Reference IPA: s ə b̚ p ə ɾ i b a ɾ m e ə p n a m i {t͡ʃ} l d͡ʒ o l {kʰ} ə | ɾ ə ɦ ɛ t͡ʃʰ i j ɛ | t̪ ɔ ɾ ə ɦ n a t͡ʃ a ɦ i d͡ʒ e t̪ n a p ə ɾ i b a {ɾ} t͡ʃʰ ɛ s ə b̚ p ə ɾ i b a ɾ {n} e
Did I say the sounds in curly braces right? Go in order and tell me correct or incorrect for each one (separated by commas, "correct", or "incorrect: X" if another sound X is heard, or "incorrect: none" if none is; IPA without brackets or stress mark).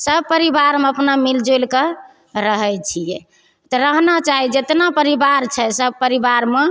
incorrect: none, incorrect: k, correct, incorrect: m